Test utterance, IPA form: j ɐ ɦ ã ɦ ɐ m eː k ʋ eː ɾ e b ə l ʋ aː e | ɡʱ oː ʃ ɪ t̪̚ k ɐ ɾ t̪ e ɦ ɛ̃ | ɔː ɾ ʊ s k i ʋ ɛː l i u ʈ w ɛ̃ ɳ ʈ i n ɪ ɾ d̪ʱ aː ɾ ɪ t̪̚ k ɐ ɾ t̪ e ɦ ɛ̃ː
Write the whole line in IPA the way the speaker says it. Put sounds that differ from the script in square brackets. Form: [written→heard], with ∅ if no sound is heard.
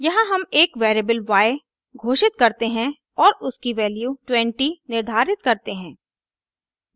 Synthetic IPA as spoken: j ɐ ɦ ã ɦ ɐ m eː k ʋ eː ɾ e b ə l ʋ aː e | ɡʱ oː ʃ ɪ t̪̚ k ɐ ɾ t̪ e ɦ ɛ̃ | ɔː ɾ ʊ s k i ʋ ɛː l [i→j] u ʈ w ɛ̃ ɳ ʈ i n ɪ ɾ d̪ʱ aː ɾ ɪ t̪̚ k ɐ ɾ t̪ e ɦ ɛ̃ː